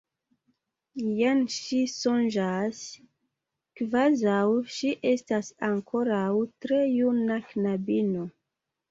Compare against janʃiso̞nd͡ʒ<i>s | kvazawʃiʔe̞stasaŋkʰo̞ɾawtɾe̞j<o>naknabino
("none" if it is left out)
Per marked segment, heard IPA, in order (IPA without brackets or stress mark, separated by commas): a, u